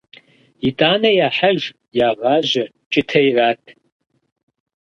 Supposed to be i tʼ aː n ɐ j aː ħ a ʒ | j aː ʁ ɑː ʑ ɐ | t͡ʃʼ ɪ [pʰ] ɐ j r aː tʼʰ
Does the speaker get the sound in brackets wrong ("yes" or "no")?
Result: yes